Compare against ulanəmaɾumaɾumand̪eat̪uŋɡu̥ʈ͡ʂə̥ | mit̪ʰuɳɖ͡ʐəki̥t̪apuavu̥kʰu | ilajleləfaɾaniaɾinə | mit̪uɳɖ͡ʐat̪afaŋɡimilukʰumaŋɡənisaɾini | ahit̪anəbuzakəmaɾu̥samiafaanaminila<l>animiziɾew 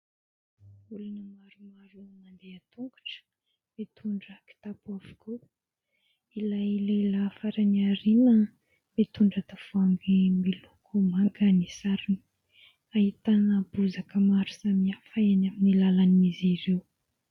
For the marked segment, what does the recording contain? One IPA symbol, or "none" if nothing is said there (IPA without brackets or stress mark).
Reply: l